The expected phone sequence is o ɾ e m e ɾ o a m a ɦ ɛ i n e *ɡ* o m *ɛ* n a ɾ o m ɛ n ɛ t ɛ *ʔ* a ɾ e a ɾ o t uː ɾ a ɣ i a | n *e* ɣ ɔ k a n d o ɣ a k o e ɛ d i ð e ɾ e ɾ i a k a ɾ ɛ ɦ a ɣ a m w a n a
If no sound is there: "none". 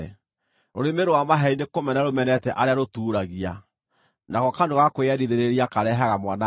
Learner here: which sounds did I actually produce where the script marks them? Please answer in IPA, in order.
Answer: k, ɛ, ʔ, a

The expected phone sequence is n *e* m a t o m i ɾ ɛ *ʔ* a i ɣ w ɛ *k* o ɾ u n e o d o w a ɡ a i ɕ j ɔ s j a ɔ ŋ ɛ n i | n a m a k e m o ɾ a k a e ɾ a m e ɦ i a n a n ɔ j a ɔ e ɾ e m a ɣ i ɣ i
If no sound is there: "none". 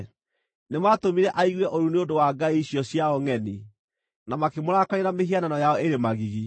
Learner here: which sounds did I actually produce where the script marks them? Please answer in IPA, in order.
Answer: e, ʔ, ʔ

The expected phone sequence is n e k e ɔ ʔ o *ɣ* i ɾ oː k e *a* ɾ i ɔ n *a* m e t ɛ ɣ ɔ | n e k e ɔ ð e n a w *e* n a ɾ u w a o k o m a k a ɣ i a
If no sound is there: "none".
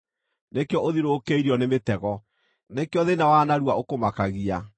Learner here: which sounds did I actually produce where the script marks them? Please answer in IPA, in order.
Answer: ð, i, e, a

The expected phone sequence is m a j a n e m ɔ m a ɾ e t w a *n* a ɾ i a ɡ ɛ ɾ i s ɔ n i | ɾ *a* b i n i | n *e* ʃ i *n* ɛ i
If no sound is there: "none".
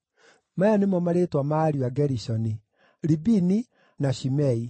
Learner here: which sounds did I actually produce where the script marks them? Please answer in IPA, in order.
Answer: m, i, a, m

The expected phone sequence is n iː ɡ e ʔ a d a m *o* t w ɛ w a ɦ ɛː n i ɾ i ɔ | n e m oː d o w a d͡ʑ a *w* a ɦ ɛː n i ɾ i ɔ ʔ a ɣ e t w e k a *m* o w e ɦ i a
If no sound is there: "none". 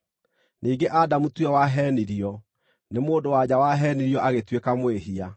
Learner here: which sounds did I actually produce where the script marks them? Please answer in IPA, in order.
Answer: u, w, m

